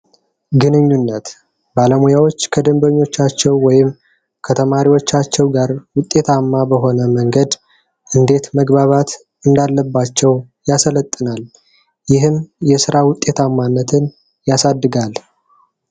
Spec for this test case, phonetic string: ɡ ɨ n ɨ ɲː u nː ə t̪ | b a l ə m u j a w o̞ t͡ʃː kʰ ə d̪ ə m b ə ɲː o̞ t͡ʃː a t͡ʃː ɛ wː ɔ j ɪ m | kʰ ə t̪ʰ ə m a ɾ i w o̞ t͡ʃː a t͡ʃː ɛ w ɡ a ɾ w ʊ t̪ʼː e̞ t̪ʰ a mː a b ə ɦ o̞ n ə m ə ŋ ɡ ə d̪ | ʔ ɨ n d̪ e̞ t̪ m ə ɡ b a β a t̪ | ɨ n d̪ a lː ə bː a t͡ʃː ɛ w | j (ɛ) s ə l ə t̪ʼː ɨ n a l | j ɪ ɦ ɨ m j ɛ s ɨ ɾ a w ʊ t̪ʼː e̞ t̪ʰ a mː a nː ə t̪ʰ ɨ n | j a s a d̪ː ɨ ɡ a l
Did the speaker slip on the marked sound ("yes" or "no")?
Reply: yes